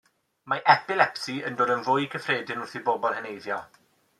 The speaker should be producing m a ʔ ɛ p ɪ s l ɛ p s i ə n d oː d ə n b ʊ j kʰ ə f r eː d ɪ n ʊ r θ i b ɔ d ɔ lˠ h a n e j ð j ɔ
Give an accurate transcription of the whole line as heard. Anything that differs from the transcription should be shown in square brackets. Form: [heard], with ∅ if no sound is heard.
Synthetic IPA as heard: m a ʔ ɛ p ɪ [∅] l ɛ p s i ə n d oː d ə n [v] ʊ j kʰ ə f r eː d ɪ n ʊ r θ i b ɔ [b] ɔ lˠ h [ə] n e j ð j ɔ